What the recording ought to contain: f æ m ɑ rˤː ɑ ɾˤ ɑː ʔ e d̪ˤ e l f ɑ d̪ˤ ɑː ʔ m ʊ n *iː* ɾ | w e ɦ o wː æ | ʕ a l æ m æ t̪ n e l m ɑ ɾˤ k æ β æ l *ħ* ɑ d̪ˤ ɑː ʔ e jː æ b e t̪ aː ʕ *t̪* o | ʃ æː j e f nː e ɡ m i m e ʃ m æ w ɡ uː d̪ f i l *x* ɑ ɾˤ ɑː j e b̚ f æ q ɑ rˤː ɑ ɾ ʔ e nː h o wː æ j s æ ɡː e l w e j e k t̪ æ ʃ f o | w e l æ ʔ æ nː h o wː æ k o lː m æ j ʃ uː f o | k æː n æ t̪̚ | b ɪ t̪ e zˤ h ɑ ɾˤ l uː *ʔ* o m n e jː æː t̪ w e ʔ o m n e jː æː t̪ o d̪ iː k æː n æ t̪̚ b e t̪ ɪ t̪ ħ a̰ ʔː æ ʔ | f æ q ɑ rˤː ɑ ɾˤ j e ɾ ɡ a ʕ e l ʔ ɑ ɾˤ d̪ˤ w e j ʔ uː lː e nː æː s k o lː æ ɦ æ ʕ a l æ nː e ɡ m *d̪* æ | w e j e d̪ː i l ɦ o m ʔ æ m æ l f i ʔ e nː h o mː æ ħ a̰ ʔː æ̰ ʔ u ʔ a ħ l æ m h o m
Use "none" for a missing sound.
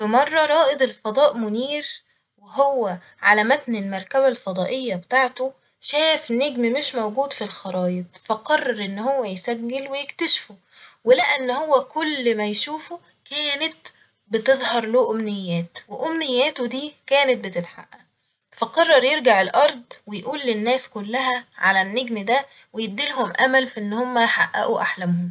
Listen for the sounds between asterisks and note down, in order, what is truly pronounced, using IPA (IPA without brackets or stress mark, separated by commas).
iː, f, t̪, x, ʔ, d̪